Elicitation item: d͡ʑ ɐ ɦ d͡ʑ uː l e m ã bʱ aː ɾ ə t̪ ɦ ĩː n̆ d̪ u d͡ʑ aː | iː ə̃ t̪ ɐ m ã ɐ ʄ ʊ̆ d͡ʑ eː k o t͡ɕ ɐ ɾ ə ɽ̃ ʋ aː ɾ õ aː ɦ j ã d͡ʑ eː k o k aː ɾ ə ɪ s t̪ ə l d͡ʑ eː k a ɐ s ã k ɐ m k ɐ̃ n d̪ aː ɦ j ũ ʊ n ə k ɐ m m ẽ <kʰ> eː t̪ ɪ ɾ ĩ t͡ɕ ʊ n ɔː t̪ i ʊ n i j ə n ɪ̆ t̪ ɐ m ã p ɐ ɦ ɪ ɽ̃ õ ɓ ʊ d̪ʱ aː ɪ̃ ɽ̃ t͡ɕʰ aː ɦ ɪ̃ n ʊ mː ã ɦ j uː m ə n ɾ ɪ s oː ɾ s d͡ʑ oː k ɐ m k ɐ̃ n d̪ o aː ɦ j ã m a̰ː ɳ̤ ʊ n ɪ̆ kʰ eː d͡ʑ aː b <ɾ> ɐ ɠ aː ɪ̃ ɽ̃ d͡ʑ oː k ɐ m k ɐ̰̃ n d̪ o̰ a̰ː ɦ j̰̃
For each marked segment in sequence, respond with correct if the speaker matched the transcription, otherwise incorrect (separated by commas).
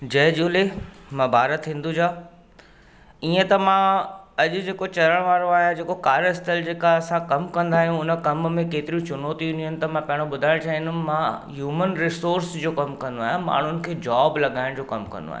incorrect, incorrect